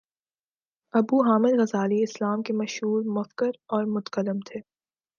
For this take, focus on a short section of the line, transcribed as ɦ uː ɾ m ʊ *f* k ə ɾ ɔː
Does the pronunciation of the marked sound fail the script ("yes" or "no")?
no